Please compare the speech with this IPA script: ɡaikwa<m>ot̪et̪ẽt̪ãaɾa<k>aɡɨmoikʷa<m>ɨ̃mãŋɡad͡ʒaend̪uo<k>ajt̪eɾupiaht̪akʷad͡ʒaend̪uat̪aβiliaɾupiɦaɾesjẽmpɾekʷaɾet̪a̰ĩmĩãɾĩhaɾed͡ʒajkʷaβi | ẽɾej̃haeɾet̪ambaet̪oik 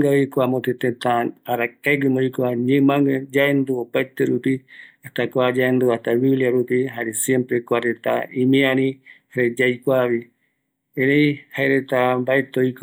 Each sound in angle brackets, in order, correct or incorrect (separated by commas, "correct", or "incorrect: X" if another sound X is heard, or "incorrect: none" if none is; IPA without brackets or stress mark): correct, correct, incorrect: ɲ, incorrect: p